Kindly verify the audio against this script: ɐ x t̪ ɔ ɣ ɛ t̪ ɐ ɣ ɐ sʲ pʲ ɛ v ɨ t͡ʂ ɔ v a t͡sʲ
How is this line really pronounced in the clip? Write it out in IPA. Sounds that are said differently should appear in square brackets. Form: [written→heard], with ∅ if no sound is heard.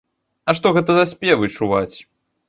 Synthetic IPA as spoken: ɐ [x→ʂ] t̪ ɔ ɣ ɛ t̪ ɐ [ɣ→z] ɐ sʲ pʲ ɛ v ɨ t͡ʂ [ɔ→u] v a t͡sʲ